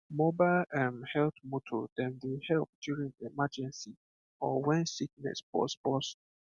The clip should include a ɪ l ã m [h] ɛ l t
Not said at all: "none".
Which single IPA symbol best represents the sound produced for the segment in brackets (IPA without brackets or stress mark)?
h